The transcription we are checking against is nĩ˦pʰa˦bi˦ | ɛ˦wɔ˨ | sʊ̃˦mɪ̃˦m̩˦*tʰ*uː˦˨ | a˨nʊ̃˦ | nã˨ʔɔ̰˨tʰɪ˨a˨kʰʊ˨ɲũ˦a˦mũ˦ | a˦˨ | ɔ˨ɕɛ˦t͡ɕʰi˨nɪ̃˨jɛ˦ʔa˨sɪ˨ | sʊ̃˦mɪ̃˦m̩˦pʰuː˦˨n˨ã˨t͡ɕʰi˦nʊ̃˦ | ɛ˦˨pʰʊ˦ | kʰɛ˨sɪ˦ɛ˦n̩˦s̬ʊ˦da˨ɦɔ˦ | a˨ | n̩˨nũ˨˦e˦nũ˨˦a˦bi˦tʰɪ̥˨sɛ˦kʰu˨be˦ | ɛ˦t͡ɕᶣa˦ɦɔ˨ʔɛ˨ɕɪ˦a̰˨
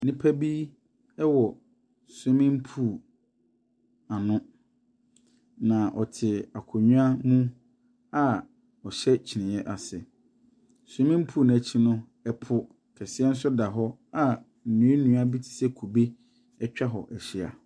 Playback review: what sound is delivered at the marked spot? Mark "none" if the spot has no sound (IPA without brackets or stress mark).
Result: pʰ